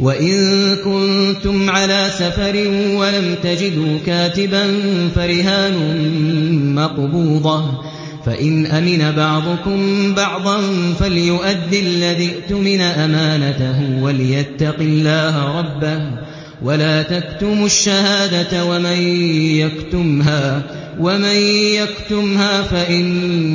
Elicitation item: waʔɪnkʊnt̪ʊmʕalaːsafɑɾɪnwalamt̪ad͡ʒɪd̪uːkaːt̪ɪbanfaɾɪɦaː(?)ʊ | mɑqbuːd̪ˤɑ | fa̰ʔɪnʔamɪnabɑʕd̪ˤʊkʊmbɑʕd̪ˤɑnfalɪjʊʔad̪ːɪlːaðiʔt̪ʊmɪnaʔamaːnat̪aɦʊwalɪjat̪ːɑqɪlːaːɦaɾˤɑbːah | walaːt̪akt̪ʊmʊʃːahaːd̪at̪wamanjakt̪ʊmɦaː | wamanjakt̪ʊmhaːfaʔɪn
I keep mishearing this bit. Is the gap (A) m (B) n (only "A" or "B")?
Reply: B